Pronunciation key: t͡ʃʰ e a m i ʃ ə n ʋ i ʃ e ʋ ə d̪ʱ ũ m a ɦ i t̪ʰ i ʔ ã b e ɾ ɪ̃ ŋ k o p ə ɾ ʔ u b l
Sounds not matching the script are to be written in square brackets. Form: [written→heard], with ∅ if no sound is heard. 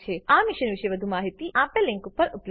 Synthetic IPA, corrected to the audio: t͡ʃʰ e a m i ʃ ə n ʋ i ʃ e ʋ ə d̪ʱ [ũ→u] m a ɦ i [t̪ʰ→t̪] i ʔ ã [b→p] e [ɾ→l] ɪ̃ ŋ k [o→u] p ə ɾ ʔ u [b→p] l